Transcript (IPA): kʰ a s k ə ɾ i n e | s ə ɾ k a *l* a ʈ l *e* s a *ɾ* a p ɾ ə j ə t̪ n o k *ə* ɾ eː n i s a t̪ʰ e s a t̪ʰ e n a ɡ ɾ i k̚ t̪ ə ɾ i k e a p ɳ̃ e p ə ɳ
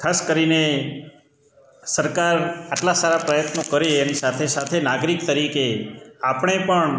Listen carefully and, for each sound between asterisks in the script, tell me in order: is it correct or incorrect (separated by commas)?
incorrect, incorrect, correct, correct